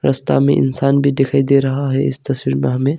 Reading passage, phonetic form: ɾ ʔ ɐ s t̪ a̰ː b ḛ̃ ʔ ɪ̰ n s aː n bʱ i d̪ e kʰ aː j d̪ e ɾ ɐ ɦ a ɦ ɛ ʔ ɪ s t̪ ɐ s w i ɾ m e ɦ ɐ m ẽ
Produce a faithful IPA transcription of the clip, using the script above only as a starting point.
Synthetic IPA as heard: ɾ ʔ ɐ s t̪ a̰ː m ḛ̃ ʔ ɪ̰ n s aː n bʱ i d̪ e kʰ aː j d̪ e ɾ ɐ ɦ a ɦ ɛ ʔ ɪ s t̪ ɐ s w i ɾ m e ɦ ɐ m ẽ